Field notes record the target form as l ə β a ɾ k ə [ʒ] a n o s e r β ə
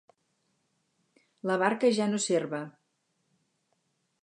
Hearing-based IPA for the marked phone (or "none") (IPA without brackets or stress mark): ʒ